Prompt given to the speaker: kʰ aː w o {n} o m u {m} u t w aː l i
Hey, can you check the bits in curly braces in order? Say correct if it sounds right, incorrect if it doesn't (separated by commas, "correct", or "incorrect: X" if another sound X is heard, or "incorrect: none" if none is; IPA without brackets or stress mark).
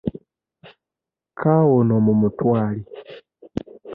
correct, correct